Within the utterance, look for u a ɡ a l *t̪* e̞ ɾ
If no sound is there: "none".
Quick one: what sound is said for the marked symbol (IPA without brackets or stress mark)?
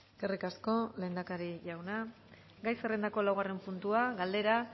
d̪